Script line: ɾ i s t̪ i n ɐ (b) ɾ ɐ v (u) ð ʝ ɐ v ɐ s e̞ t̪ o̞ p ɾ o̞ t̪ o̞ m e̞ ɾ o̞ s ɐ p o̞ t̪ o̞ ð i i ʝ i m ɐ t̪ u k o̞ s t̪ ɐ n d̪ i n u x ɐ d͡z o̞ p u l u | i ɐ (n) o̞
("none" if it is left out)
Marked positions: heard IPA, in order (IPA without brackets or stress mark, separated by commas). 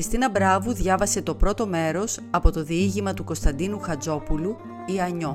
b, u, ɲ